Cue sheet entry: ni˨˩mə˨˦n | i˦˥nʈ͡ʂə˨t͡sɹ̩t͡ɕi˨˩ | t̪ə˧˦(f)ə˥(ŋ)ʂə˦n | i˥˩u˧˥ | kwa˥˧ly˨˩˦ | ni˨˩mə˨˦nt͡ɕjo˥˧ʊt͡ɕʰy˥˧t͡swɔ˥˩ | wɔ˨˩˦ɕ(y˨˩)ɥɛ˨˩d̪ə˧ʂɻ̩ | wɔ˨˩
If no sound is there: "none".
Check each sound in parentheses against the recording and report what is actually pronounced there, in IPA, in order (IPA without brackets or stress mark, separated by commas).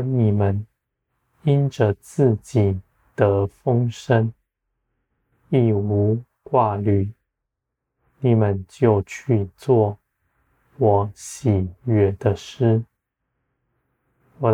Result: f, ŋ, i˨˩